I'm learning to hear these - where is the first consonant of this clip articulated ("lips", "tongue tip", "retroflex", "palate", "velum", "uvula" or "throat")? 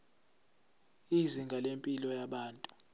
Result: tongue tip